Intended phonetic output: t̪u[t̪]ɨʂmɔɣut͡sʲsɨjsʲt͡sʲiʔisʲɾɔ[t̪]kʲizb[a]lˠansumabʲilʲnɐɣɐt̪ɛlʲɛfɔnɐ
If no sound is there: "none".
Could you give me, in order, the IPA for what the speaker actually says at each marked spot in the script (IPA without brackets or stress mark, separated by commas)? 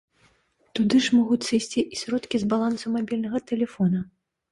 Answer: d̪, t̪, a